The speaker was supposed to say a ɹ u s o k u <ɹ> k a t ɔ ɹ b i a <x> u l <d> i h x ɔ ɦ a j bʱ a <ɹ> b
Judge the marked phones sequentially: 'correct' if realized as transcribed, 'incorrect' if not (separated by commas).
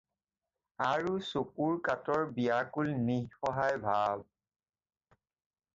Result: correct, incorrect, incorrect, incorrect